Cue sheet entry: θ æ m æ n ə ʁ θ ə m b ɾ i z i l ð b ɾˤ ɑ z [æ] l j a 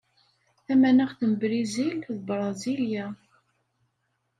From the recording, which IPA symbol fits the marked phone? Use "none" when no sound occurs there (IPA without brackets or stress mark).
i